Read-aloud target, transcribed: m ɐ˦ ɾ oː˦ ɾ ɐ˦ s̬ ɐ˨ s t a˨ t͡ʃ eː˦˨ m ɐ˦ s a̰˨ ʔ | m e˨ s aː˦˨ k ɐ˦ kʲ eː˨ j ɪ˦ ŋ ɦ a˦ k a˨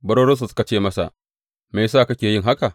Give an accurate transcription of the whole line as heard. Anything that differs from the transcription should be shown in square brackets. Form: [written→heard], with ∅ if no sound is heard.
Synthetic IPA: [m→b] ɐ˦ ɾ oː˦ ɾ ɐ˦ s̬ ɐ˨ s [t→k] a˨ t͡ʃ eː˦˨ m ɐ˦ s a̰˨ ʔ | m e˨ s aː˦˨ k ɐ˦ kʲ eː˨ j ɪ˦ ŋ ɦ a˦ k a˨